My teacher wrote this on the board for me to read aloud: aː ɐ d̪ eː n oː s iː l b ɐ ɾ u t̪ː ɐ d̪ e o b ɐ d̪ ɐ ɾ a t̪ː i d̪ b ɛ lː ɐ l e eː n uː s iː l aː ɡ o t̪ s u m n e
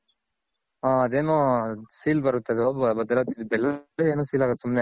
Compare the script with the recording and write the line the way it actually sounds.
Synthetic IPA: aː ɐ d̪ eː n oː s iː l b ɐ ɾ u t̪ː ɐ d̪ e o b ɐ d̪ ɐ l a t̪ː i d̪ b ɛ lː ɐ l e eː n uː s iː l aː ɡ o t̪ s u m n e